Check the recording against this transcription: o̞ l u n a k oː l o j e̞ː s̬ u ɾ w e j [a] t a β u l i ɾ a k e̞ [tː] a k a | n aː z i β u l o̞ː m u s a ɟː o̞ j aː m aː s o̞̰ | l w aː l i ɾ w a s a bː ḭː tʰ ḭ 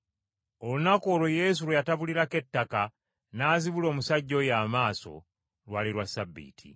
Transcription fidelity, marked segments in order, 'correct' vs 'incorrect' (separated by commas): correct, correct